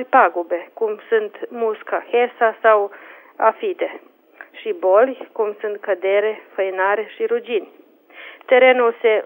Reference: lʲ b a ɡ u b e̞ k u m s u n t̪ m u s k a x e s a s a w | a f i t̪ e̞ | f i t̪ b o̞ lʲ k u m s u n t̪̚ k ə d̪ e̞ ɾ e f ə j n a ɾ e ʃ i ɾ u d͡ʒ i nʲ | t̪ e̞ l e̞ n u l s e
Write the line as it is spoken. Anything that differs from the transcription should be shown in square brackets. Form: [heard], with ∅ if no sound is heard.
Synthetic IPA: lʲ [p] a ɡ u b e̞ k u m s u n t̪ m u s k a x e s a s a w | a f i t̪ e̞ | [ʃ] i [∅] b o̞ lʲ k u m s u n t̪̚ k ə d̪ e̞ ɾ e f ə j n a ɾ e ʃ i ɾ u d͡ʒ i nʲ | t̪ e̞ [ɾ] e̞ n u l s e